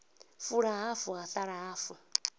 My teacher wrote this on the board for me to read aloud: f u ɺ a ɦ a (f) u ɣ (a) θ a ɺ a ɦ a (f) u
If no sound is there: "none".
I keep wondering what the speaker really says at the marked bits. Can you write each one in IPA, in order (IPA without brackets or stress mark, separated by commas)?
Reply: f, a, f